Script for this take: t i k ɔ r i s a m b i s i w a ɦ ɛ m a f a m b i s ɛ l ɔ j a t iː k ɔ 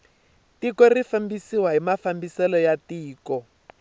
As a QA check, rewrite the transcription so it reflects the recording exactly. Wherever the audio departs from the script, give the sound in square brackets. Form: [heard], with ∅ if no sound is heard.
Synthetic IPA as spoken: t i k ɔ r i [f] a m b i s i w a ɦ [i] m a f a m b i s ɛ l ɔ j a t iː k ɔ